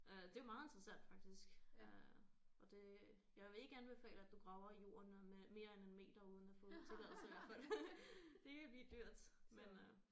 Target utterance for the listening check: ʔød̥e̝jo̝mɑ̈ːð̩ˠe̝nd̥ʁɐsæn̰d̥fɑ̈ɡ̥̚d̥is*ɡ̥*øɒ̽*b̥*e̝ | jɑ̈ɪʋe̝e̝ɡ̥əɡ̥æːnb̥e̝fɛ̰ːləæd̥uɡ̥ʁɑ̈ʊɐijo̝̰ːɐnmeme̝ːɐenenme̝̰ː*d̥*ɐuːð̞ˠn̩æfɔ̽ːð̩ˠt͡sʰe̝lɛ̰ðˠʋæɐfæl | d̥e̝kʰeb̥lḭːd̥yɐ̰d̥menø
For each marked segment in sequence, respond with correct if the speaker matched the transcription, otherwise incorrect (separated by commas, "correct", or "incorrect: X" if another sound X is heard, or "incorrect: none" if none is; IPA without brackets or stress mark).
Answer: correct, incorrect: d̥, correct